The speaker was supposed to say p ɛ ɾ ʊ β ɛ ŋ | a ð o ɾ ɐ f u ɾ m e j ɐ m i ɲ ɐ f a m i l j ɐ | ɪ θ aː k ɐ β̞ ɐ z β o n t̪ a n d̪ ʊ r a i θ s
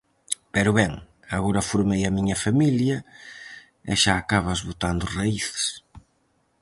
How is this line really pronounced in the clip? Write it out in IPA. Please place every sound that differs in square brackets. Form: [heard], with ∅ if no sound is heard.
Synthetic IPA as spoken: p ɛ ɾ ʊ β ɛ ŋ | a [ɣ] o ɾ ɐ f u ɾ m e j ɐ m i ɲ ɐ f a m i l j ɐ | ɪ [ʃ] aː k [a] β̞ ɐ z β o [∅] t̪ a n d̪ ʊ r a i θ s